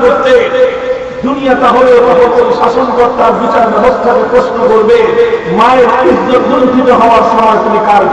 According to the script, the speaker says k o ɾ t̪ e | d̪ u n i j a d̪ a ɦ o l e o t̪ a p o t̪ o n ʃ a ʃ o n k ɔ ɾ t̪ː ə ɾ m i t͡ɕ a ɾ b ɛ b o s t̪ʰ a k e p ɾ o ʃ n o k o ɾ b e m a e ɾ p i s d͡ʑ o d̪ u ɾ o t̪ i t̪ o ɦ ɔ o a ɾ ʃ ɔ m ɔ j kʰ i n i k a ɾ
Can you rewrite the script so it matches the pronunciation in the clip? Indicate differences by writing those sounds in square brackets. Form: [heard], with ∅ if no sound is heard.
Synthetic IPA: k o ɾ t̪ e | d̪ u n i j a [t̪] a ɦ o l e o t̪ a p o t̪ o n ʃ a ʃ o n k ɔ ɾ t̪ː [a] ɾ [b] i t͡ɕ a ɾ b ɛ b o s t̪ʰ a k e p ɾ o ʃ n o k o ɾ b e m a e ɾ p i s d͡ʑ o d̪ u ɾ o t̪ i t̪ o ɦ ɔ o a ɾ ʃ ɔ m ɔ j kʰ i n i k a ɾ

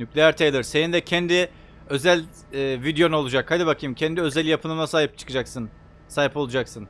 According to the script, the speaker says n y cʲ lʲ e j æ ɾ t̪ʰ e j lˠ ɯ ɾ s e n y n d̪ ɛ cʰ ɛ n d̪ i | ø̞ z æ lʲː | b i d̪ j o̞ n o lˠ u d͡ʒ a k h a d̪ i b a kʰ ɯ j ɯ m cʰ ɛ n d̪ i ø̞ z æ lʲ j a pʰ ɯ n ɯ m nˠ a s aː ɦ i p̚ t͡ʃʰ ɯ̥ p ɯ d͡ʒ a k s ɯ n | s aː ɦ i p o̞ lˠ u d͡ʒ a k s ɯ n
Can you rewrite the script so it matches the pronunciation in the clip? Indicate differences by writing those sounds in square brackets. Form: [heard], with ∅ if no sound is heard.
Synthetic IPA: n y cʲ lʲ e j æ ɾ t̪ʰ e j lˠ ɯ ɾ s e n [i] n d̪ ɛ cʰ ɛ n d̪ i | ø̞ z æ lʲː | [v] i d̪ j o̞ n o lˠ u d͡ʒ a k h a d̪ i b a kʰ ɯ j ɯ m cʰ ɛ n d̪ i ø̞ z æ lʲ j a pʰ ɯ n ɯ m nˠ a s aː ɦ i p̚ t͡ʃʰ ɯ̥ [k] ɯ d͡ʒ a k s ɯ n | s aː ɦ i p o̞ lˠ u d͡ʒ a k s ɯ n

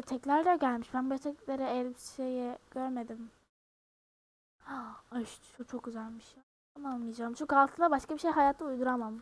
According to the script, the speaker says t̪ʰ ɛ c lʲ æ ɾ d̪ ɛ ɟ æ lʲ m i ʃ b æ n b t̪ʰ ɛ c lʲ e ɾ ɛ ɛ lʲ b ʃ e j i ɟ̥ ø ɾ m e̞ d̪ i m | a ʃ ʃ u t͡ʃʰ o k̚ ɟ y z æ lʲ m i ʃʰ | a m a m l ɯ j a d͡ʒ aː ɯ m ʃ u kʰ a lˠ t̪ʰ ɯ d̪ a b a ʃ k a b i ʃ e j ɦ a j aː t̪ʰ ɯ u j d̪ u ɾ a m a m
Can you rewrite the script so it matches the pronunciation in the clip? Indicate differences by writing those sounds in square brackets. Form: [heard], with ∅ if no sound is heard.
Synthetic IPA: t̪ʰ ɛ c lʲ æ ɾ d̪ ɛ ɟ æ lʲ m i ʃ b æ n b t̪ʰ ɛ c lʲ e ɾ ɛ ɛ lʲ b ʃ e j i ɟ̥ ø ɾ m e̞ d̪ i m | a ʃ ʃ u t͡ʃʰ o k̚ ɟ y z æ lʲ m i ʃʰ | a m a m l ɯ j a d͡ʒ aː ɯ m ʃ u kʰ a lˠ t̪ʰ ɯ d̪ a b a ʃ k a b i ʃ e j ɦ a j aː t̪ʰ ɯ u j d̪ u ɾ a m a m

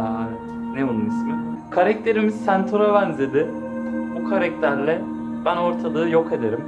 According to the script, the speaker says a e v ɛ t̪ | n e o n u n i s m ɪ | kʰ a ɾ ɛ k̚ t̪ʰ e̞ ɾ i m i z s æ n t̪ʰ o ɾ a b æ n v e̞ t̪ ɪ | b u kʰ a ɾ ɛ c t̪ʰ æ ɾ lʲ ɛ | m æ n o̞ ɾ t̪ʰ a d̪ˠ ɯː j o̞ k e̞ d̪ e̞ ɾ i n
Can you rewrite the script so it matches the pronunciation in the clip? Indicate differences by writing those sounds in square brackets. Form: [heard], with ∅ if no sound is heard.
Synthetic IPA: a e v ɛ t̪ | n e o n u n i s m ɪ | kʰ a ɾ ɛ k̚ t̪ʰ e̞ ɾ i m i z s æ n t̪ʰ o ɾ a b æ n [z] e̞ [d̪] ɪ | b u kʰ a ɾ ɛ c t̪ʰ æ ɾ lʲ ɛ | [b] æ n o̞ ɾ t̪ʰ a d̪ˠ ɯː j o̞ k e̞ d̪ e̞ ɾ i [m]

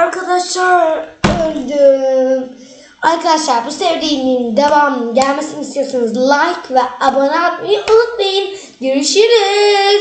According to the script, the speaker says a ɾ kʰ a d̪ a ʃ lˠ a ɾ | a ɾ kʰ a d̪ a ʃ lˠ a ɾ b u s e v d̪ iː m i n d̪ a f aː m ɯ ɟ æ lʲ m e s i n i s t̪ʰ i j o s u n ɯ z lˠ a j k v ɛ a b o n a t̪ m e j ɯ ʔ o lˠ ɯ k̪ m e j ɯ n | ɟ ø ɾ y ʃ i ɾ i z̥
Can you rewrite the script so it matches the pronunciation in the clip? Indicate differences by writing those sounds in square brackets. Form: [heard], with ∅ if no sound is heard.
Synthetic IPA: a ɾ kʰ a d̪ a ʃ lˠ a ɾ | a ɾ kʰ a d̪ a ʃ lˠ a ɾ b u s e v d̪ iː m i n d̪ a [v] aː m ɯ ɟ æ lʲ m e s i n i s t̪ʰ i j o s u n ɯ z lˠ a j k v ɛ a b o n a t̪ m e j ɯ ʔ o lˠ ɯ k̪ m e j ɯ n | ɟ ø ɾ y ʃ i ɾ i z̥

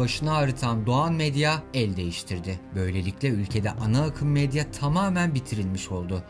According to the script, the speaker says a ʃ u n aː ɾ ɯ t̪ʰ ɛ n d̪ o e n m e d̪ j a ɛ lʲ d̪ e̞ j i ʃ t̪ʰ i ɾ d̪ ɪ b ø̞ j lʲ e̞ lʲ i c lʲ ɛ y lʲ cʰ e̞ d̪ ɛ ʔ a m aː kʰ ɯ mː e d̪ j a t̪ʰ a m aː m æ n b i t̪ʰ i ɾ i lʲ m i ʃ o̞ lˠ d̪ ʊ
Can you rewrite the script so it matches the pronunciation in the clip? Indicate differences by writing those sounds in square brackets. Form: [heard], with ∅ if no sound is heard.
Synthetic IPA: a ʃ [ɯ] n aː ɾ ɯ t̪ʰ [a] n d̪ o [a] n m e d̪ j a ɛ lʲ d̪ e̞ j i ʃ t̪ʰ i ɾ d̪ ɪ b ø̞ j lʲ e̞ lʲ i c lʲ ɛ y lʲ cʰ e̞ d̪ ɛ ʔ a [n] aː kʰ ɯ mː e d̪ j a t̪ʰ a m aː m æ n b i t̪ʰ i ɾ i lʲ m i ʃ o̞ lˠ d̪ ʊ

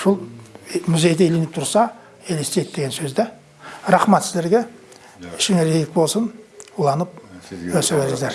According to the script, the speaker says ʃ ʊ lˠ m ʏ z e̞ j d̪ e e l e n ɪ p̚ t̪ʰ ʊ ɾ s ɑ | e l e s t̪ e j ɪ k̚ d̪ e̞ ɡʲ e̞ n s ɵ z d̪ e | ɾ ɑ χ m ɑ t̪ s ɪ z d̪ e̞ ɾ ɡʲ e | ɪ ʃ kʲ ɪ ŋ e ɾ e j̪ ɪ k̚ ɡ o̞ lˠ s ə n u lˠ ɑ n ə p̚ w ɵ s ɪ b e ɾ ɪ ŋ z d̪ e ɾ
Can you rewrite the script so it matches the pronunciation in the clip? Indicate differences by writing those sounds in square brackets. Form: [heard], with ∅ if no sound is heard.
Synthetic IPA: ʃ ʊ lˠ m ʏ z e̞ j d̪ e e l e n ɪ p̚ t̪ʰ ʊ ɾ s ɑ | e l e s t̪ e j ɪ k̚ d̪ e̞ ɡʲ e̞ n s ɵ z d̪ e | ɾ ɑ χ m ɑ t̪ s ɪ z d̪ e̞ ɾ ɡʲ e | ɪ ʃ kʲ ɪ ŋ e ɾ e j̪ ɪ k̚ [b] o̞ lˠ s ə n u lˠ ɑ n ə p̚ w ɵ s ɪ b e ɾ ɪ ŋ z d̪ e ɾ

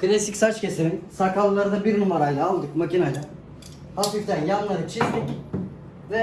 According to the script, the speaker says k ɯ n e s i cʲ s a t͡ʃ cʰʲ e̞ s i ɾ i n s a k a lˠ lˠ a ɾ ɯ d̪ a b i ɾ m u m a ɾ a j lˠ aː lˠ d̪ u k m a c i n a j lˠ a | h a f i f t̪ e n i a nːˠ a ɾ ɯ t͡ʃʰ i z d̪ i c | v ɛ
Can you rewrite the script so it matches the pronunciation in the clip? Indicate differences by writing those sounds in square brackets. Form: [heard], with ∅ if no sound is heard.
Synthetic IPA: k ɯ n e s i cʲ s a t͡ʃ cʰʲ e̞ s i ɾ i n s a k a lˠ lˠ a ɾ ɯ d̪ a b i ɾ [n] u m a ɾ a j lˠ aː lˠ d̪ [ɯ] k m a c i n a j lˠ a | h a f i f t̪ [æ] n [j] a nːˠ a ɾ ɯ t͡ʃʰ i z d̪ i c | v ɛ

